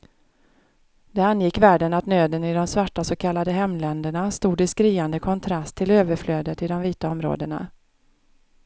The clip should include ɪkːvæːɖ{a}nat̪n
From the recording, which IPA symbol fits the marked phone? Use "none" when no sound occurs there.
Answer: ə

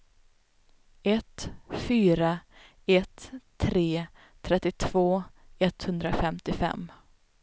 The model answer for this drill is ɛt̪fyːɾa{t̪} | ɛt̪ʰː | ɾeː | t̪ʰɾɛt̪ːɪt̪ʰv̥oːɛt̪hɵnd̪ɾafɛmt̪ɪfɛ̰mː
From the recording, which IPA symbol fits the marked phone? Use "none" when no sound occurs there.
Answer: none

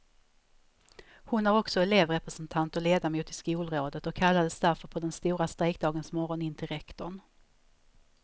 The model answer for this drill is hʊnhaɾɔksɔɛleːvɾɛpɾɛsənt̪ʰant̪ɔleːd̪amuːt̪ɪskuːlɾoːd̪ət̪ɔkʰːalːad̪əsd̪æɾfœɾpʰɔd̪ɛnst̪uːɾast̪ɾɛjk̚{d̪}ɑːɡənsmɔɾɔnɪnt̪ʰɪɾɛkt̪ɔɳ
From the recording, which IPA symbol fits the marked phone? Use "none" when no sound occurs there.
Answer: d̪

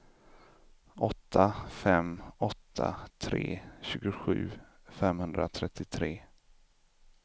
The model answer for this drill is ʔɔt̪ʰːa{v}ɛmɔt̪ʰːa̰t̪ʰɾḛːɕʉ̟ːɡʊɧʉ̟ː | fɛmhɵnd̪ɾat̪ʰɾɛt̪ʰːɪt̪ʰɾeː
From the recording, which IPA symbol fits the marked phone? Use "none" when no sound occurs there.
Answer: f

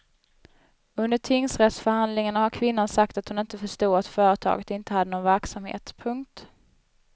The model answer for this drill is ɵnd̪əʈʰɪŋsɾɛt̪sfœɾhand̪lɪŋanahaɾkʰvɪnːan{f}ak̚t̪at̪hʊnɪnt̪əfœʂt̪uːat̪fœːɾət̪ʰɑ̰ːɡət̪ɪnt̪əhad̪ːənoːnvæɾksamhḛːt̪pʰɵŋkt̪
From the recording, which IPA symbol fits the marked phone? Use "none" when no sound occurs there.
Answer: s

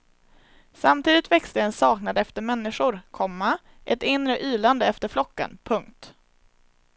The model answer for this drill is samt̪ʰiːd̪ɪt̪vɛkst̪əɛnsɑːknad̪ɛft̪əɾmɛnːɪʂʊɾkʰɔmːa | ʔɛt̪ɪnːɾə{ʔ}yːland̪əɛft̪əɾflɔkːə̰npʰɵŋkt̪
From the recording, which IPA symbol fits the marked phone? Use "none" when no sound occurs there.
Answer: ʔ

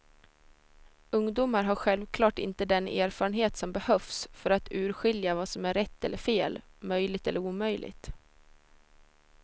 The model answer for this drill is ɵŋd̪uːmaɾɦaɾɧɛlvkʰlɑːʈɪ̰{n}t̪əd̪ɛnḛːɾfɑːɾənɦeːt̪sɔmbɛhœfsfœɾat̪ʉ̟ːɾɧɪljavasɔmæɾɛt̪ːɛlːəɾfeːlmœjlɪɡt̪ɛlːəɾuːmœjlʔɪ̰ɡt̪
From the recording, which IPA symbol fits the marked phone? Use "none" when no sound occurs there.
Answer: n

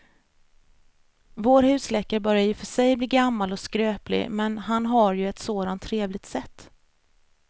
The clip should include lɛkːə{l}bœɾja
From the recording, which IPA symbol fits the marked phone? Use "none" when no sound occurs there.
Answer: ɾ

